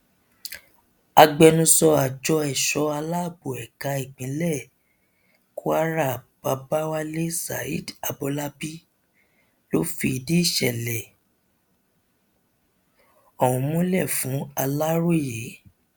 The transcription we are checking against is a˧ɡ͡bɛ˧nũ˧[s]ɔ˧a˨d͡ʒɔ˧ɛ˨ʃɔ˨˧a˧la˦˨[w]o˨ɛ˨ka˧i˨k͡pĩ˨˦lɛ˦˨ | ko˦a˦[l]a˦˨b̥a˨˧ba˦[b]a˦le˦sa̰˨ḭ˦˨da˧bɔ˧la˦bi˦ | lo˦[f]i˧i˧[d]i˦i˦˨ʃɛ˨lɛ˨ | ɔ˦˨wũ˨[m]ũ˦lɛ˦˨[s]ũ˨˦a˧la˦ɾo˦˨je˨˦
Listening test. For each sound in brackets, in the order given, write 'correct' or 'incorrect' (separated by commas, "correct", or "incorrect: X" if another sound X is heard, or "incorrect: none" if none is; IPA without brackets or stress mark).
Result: correct, incorrect: b, incorrect: ɾ, incorrect: w, correct, correct, correct, incorrect: f